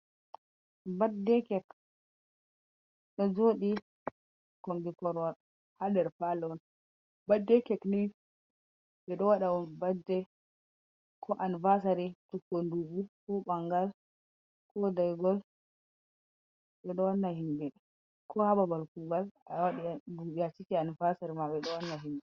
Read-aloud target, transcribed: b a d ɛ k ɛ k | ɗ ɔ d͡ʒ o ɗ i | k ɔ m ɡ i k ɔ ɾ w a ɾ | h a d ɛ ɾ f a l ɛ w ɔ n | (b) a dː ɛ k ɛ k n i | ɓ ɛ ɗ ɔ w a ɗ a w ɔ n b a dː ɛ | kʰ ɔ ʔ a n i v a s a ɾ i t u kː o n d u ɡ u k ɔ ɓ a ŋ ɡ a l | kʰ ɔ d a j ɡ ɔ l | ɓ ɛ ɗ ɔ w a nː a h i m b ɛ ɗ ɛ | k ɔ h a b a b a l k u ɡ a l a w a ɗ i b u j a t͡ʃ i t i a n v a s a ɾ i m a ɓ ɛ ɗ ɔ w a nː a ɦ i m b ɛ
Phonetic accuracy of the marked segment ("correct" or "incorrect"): correct